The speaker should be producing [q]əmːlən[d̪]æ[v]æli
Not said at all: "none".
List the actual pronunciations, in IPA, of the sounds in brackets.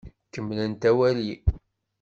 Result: k, t̪, w

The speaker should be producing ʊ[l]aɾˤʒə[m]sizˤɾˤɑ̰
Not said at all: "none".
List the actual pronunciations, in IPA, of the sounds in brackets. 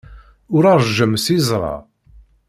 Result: ɾ, m

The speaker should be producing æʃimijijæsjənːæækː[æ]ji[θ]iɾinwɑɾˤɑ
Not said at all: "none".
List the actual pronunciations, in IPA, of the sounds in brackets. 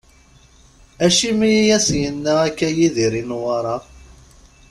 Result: æ, ð

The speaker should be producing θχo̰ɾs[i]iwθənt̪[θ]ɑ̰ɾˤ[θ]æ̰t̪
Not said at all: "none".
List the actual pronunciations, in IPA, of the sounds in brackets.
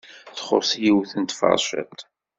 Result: j, f, ʃ

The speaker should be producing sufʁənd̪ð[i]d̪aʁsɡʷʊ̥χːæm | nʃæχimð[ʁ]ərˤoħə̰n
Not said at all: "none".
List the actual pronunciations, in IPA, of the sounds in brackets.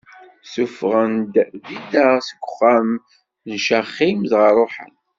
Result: i, ʁ

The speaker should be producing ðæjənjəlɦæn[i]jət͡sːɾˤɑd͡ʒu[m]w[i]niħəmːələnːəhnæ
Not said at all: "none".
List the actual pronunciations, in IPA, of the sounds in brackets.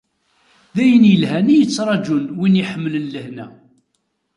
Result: i, n, i

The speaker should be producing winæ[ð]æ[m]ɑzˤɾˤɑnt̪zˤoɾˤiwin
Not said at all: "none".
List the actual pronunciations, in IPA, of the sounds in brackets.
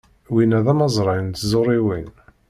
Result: ð, m

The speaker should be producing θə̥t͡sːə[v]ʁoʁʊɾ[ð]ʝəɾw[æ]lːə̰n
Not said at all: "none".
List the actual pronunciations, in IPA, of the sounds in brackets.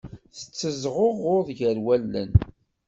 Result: z, ð, æ

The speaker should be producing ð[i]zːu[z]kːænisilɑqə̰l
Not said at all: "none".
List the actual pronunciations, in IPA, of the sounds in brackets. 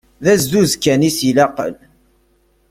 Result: æ, z

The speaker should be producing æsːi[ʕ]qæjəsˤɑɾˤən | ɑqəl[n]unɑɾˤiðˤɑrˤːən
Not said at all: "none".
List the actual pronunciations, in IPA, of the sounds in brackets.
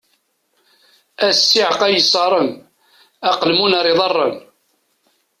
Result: ʕ, m

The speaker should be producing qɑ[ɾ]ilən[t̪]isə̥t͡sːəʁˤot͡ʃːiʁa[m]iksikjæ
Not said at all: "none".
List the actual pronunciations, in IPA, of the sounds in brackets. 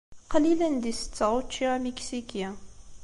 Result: l, d̪, m

